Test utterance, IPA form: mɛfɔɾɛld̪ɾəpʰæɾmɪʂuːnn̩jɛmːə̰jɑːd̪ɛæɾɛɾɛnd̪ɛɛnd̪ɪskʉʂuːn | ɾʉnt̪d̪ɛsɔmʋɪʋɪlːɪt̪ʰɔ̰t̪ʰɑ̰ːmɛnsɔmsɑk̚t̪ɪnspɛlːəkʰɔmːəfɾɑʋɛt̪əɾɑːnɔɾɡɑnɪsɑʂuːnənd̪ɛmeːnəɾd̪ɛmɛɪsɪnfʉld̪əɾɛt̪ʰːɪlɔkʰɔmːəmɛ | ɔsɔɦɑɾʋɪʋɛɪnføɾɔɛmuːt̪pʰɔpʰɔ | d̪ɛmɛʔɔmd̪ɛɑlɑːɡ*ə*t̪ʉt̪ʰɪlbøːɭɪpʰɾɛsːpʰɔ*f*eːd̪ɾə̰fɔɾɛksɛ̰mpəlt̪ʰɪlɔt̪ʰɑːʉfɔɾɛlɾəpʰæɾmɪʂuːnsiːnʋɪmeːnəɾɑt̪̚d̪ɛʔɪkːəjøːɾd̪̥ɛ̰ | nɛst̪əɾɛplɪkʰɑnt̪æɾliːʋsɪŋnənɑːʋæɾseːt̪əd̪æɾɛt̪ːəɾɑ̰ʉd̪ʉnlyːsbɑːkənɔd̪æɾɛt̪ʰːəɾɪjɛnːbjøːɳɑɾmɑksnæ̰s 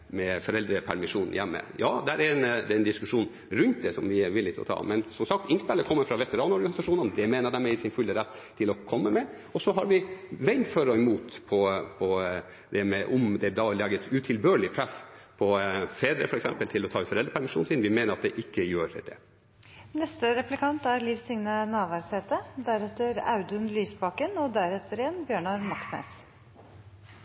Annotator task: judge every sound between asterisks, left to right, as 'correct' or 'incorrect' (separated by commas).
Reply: correct, correct